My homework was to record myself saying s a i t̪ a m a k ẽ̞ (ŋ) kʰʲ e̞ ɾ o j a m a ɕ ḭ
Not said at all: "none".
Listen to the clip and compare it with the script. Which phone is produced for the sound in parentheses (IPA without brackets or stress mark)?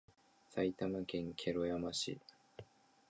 ŋ